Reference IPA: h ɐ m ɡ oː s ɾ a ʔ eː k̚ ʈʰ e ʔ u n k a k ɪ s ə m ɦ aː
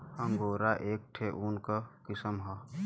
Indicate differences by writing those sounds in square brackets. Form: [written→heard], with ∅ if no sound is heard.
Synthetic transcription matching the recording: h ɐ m ɡ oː [s→∅] ɾ a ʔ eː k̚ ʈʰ e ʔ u n k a k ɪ s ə m ɦ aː